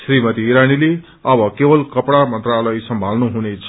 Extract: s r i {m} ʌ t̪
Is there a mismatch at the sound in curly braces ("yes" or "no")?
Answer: no